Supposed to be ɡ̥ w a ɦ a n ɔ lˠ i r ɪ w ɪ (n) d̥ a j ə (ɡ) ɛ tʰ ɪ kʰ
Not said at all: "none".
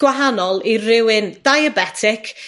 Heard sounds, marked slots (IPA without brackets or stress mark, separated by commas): n, b